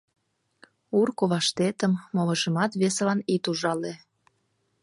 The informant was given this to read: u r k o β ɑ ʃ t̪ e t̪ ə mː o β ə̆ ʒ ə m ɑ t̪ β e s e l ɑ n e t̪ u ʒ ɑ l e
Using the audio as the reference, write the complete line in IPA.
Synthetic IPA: u r k o β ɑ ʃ t̪ e t̪ ə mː o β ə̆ ʒ ə m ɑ t̪ β e s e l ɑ n i t̪ u ʒ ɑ l e

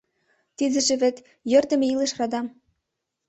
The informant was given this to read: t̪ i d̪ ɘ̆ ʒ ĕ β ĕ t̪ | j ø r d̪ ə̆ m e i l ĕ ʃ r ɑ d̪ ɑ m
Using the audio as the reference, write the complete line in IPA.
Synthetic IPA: t̪ i d̪ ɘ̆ ʒ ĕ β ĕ t̪ | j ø r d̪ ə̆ m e i l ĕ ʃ r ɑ d̪ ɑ m

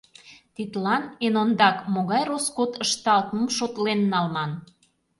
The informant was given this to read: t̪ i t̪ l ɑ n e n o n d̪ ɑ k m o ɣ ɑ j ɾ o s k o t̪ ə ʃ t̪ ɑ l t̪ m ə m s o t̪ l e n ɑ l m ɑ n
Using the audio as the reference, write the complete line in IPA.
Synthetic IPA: t̪ i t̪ l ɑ n e n o n d̪ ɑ k m o ɣ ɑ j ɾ o s k o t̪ ə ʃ t̪ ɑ l t̪ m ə m ʃ o t̪ l e nː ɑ l m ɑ n

